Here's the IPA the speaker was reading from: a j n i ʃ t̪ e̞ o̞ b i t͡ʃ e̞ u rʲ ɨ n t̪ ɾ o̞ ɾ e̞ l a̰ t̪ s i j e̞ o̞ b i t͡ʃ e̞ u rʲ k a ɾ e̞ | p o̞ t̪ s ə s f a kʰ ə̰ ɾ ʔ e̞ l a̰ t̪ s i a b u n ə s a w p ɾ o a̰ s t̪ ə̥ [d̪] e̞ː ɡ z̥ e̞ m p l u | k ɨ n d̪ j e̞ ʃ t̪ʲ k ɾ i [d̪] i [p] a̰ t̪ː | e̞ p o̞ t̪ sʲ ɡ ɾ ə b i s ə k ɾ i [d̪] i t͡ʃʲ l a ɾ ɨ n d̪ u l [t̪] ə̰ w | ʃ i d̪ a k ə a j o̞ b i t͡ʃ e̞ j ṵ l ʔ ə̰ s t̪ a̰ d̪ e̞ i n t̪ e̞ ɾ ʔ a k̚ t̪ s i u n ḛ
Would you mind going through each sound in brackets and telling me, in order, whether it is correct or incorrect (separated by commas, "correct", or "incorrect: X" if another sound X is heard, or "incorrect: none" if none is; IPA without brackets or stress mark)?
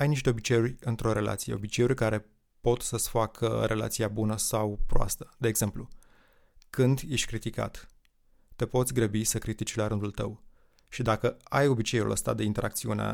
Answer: correct, incorrect: t̪, incorrect: k, incorrect: t̪, correct